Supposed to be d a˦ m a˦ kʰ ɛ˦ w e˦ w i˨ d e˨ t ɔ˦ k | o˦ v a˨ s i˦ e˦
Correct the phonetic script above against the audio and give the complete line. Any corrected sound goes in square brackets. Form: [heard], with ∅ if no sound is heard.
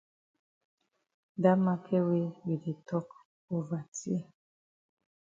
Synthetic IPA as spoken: d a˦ m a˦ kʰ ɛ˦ w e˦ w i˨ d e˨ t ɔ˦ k | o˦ v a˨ [t] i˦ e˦